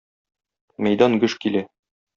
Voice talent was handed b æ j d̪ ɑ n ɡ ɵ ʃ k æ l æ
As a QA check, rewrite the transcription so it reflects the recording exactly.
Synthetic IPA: m æ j d̪ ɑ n ɡ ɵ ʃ k i l æ